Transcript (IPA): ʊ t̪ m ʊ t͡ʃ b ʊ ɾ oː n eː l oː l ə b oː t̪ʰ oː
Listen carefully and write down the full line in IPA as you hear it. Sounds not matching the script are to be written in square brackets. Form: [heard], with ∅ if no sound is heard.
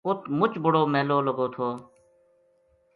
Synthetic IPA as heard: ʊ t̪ m ʊ t͡ʃ b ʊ [ɽ] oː [m] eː l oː l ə [ɡ] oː t̪ʰ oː